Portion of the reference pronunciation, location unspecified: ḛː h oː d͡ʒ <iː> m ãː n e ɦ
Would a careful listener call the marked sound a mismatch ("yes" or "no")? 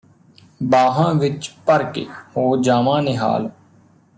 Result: yes